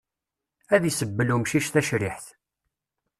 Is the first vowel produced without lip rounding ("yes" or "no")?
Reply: yes